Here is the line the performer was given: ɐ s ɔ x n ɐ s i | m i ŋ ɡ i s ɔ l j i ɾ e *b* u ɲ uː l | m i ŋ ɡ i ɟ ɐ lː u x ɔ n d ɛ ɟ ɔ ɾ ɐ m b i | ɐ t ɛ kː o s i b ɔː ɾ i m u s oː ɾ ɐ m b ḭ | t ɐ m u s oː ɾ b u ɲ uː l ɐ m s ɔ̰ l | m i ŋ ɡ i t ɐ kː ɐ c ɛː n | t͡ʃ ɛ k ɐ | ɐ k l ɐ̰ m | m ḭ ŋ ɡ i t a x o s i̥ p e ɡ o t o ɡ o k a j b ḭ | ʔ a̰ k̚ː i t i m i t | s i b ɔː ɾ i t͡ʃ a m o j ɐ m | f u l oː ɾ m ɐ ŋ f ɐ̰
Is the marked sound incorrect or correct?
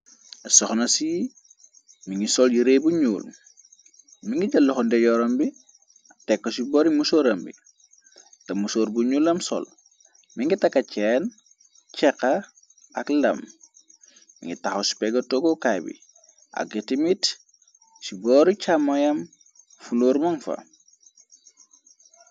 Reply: correct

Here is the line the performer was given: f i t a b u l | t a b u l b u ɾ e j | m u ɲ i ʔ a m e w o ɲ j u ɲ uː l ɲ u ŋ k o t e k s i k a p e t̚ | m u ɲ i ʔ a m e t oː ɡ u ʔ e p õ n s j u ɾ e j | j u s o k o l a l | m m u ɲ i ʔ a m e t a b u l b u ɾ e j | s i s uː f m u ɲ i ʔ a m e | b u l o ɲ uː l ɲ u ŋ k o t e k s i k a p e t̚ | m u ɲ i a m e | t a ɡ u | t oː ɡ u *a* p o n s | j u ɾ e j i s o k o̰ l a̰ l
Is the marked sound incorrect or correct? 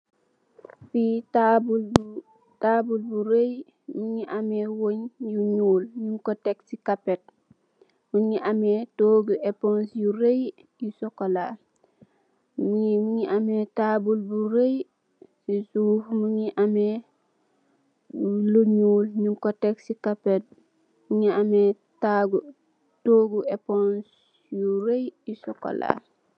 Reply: incorrect: e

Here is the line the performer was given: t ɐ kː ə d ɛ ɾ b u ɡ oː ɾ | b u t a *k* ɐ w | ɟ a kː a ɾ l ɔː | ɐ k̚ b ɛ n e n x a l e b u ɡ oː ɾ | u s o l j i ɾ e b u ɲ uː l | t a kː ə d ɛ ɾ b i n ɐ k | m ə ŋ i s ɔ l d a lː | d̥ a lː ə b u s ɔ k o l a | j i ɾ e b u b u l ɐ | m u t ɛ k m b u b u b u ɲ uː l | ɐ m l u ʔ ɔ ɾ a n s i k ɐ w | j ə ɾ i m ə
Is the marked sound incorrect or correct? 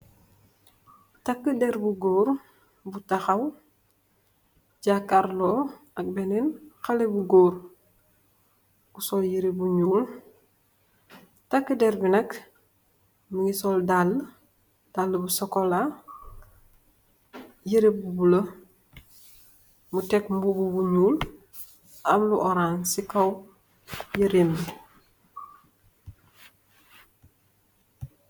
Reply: incorrect: x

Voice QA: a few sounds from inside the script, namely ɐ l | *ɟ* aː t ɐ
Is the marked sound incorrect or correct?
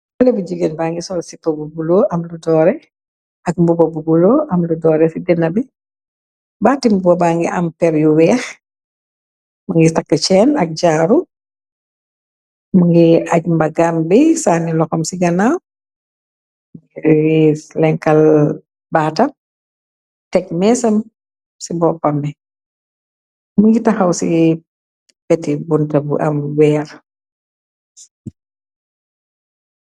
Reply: incorrect: b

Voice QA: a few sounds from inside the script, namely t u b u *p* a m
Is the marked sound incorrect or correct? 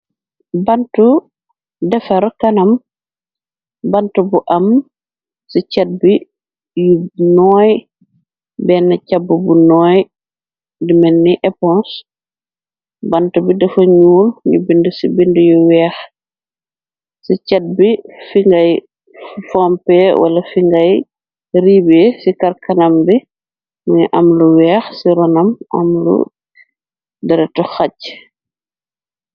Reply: incorrect: ʔ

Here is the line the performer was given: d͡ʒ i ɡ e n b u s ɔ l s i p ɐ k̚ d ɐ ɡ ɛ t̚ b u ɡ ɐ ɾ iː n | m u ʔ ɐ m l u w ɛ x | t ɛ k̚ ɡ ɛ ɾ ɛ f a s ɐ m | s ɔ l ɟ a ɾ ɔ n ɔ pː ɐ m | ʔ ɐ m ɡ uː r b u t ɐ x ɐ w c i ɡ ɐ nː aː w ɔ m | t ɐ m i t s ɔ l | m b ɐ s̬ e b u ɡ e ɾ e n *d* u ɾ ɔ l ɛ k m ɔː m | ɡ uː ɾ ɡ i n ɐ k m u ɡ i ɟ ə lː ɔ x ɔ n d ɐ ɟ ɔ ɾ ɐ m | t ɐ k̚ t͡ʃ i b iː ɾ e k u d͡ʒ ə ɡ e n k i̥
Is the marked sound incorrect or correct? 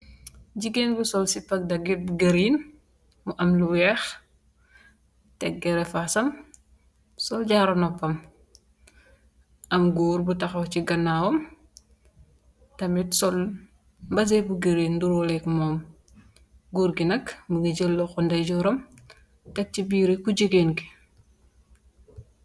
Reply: correct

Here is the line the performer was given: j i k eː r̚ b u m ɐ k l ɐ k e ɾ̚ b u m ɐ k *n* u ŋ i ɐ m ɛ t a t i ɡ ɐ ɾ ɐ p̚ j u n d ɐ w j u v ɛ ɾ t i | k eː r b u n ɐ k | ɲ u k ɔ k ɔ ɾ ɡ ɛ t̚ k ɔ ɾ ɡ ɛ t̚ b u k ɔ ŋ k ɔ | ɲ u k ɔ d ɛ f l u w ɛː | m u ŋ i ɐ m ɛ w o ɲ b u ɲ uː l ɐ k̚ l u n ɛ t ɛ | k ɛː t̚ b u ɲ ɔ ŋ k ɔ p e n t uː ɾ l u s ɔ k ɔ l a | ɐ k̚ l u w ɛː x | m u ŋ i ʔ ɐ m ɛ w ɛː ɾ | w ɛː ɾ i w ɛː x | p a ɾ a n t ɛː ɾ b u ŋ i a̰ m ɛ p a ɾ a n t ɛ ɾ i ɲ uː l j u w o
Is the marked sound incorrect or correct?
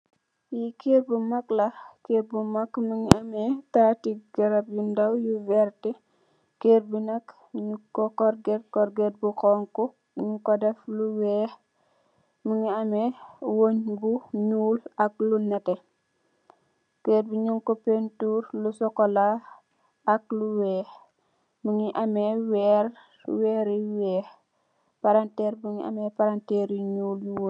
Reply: incorrect: m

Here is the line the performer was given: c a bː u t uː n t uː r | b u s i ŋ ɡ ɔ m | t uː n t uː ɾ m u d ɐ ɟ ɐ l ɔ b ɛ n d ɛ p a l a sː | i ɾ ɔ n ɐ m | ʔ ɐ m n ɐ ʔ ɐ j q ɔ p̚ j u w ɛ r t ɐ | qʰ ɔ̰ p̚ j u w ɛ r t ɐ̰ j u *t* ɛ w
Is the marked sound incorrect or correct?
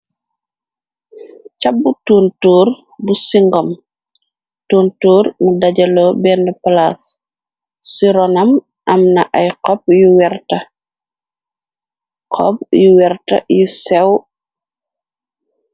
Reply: incorrect: s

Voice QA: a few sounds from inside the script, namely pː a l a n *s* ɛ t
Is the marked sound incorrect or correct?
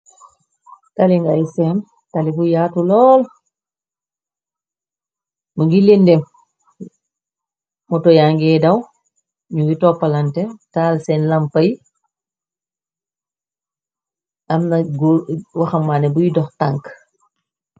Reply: incorrect: t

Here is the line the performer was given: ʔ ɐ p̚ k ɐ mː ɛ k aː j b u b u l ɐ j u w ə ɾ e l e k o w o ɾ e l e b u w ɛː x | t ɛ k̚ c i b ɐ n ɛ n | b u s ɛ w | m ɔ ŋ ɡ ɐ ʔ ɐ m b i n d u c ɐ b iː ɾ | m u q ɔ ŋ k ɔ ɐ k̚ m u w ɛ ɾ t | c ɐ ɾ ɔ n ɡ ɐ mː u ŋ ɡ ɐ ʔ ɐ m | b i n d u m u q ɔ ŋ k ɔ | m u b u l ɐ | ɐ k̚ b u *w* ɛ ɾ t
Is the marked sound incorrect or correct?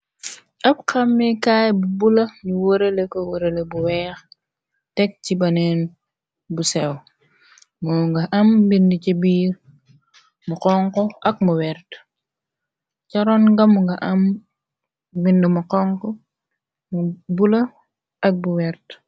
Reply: correct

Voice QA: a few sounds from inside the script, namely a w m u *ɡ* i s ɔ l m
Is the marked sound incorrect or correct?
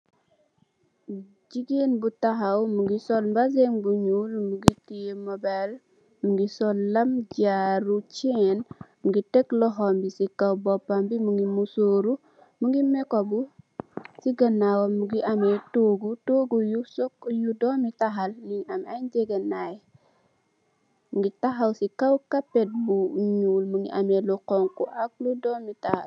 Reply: correct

